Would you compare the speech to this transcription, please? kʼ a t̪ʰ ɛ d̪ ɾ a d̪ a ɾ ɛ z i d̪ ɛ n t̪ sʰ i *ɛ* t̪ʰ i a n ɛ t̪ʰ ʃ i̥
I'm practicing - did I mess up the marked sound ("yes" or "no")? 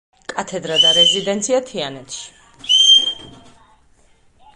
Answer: yes